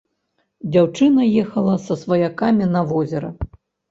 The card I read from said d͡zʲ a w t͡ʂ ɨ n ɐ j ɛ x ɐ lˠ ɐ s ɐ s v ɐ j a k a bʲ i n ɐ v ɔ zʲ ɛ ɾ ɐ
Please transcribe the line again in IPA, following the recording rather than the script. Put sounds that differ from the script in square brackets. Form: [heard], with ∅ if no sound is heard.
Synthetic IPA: d͡zʲ a w t͡ʂ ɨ n ɐ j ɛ x ɐ lˠ ɐ s ɐ s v ɐ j a k a [mʲ] i n ɐ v ɔ zʲ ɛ ɾ ɐ